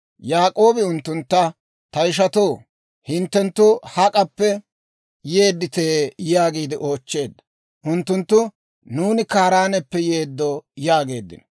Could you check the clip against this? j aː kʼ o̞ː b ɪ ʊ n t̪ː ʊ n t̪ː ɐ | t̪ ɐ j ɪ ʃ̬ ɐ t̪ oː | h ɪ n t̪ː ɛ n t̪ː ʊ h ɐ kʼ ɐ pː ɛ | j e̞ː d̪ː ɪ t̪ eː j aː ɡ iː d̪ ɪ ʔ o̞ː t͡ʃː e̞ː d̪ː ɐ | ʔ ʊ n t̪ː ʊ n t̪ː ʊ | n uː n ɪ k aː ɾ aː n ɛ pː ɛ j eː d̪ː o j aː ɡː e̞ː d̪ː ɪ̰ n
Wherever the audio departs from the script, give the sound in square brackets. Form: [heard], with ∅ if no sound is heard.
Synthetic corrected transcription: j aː kʼ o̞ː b ɪ ʊ n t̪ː ʊ n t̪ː ɐ | t̪ ɐ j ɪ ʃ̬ ɐ t̪ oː | h ɪ n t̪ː ɛ n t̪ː ʊ h ɐ kʼ ɐ pː ɛ | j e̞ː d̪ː ɪ t̪ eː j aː ɡ iː d̪ ɪ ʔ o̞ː t͡ʃː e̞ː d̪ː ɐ | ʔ ʊ n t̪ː ʊ n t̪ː ʊ | n uː n ɪ k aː ɾ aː n ɛ pː ɛ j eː d̪ː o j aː [ɡ] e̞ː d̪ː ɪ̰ n